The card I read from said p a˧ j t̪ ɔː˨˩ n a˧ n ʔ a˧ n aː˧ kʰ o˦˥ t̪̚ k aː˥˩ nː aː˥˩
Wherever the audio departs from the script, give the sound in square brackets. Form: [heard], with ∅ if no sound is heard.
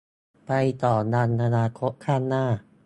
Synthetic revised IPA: p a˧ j t̪ ɔː˨˩ n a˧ n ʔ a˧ n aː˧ kʰ o˦˥ t̪̚ [kʰ] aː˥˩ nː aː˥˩

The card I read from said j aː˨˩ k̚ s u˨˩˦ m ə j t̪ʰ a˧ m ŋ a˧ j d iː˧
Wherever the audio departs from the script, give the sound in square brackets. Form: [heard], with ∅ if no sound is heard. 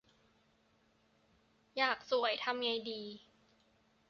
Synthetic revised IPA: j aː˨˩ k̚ s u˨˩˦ [∅] ə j t̪ʰ a˧ m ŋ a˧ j d iː˧

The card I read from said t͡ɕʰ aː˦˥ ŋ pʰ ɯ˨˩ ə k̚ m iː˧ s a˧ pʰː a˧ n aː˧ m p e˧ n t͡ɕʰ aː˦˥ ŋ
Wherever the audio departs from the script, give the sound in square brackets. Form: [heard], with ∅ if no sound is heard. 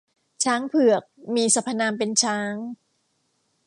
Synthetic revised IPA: t͡ɕʰ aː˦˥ ŋ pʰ ɯ˨˩ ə k̚ m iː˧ s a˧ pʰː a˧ n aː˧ m p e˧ n t͡ɕʰ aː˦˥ ŋ

